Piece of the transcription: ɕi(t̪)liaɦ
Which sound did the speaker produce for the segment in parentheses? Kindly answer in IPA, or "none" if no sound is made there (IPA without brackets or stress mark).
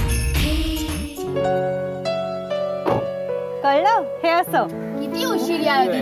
none